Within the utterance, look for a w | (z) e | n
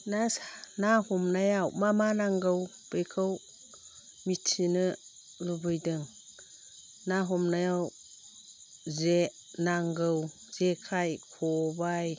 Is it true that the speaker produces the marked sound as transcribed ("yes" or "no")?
yes